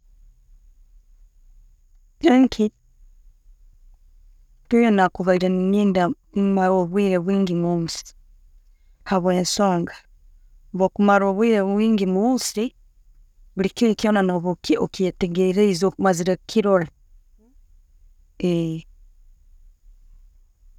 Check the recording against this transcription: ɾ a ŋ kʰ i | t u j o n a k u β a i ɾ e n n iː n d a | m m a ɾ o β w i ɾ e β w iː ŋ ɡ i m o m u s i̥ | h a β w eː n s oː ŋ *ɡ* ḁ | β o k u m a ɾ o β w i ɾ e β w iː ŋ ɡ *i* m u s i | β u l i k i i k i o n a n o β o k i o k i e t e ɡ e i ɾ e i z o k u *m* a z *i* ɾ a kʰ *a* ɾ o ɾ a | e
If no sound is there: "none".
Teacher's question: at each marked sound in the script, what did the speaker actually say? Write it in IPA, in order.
ɡ, i, m, i, i

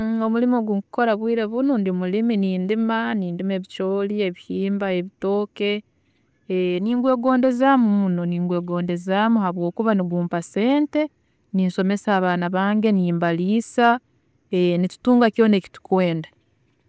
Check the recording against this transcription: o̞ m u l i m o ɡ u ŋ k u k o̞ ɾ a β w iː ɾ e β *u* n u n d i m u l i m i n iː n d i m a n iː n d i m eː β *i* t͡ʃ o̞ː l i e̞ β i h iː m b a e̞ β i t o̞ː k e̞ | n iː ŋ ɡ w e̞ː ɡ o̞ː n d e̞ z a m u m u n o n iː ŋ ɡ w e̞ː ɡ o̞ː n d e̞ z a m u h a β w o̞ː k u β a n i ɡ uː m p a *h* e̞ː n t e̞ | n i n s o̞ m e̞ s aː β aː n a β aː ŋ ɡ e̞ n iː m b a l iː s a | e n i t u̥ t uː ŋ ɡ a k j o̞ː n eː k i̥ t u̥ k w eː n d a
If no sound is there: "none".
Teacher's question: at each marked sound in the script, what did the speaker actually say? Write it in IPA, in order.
u, i, s

